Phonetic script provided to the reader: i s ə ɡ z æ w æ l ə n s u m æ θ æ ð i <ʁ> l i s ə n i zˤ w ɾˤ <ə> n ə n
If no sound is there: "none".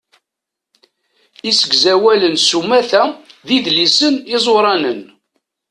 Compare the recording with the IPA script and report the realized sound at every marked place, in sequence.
ð, ɑ

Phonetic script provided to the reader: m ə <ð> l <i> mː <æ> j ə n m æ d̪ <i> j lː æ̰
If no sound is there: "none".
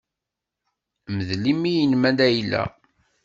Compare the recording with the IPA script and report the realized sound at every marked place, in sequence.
ð, i, i, æ

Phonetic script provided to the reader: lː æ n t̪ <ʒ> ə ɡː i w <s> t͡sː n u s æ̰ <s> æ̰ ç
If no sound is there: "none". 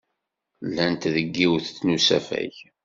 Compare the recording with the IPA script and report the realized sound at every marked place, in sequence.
ð, θ, f

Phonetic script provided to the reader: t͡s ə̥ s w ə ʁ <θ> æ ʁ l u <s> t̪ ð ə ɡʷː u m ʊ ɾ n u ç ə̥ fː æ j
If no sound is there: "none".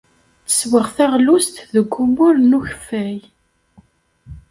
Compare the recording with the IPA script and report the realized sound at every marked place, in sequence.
θ, s

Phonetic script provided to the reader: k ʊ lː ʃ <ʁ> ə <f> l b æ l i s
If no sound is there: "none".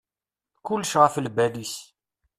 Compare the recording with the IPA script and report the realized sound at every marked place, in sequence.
ʁ, f

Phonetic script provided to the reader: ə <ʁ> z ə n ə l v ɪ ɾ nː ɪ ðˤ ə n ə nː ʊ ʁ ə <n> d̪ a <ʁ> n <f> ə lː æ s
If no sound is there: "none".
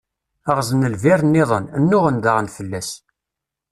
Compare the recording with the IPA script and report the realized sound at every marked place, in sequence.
ʁ, n, ʁ, f

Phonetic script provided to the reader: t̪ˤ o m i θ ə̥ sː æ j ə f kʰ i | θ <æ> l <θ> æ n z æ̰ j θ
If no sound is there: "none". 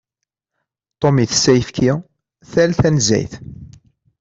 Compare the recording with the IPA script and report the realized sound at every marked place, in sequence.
æ, θ

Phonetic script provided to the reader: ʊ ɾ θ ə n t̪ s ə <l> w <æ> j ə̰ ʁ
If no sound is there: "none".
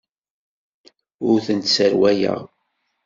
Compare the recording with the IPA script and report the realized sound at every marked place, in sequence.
ɾ, æ

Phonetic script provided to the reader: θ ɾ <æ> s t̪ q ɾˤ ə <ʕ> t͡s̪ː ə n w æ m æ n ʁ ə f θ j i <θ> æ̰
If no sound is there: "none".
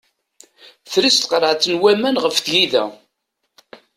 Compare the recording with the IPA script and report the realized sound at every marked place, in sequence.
i, ʕ, ð

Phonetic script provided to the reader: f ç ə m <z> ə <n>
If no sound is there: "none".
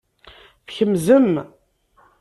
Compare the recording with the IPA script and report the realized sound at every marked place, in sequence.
z, m

